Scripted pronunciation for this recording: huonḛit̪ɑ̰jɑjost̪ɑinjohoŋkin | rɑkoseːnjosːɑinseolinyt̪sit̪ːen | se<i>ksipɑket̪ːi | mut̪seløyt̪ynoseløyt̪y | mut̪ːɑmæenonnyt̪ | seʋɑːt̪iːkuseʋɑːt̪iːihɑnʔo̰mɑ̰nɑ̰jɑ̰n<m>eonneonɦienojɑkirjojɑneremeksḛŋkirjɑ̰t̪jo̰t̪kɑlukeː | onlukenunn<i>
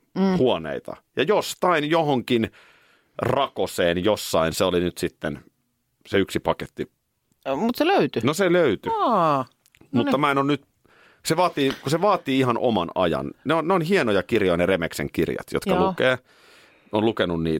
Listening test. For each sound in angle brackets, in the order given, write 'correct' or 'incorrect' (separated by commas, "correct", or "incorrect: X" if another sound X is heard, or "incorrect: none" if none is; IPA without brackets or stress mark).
incorrect: y, incorrect: n, incorrect: iː